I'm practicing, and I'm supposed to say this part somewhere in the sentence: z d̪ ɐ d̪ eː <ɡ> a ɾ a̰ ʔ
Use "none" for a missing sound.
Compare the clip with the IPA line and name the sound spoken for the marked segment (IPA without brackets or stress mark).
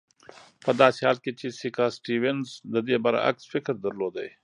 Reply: b